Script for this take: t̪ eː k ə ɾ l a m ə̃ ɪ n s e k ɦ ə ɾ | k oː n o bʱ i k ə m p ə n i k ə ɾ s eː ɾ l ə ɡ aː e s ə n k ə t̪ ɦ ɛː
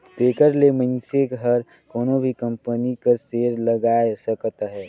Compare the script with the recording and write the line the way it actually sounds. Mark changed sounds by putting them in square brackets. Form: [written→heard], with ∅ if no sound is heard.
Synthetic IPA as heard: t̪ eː k ə ɾ l [a→e] m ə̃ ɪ n s e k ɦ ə ɾ | k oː n o bʱ i k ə m p ə n i k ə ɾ s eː ɾ l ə ɡ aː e s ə [n→∅] k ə t̪ ɦ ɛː